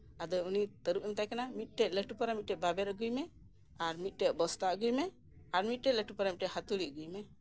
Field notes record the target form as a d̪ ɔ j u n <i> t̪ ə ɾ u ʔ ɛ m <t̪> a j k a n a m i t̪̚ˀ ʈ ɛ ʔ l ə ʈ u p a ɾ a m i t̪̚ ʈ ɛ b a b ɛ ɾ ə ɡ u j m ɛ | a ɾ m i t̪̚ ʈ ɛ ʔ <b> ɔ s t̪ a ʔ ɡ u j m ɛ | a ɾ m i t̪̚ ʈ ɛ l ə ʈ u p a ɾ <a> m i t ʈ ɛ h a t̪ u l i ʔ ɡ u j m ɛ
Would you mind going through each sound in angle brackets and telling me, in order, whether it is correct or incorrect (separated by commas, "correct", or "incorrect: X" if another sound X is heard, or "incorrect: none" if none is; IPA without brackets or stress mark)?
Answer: correct, correct, correct, correct